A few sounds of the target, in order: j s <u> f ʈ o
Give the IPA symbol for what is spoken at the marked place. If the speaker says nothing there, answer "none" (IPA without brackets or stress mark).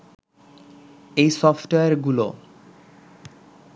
ɔ